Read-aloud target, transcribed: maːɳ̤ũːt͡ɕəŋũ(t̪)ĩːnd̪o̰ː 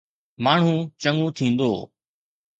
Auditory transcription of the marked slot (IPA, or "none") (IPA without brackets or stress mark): t̪ʰ